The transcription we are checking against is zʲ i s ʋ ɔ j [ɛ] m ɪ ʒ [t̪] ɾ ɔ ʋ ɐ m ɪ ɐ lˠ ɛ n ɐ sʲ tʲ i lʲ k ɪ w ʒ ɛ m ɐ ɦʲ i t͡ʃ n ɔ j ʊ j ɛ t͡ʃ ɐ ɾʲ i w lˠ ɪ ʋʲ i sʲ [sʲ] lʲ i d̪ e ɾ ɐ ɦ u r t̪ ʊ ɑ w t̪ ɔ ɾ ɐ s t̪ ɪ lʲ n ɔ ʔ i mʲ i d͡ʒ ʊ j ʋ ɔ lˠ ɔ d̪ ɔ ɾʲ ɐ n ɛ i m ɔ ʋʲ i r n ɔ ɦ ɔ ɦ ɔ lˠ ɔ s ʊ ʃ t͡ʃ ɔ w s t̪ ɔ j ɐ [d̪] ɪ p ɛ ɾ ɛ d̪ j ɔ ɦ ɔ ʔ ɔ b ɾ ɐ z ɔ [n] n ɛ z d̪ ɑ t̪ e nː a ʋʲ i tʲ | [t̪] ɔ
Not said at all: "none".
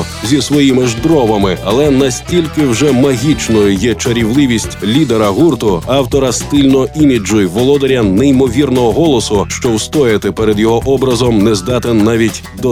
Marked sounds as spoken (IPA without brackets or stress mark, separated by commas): i, d̪, tʲ, t̪, m, d̪